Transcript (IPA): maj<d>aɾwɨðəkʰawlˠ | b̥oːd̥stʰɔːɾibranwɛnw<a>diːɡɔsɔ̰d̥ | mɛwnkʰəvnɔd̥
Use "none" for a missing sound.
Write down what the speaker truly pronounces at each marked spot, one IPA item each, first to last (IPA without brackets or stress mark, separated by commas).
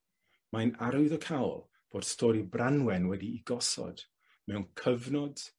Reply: n, ɛ